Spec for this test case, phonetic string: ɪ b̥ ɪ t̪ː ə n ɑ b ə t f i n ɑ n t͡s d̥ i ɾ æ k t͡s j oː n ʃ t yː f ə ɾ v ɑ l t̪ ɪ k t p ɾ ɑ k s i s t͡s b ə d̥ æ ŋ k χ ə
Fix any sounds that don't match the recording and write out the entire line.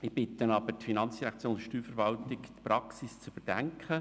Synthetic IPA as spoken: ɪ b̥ ɪ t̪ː ə n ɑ b ə t f i n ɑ n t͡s d̥ i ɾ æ k t͡s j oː n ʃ t yː f ə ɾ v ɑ l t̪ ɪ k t p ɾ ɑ k s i s t͡s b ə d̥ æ ŋ k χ ə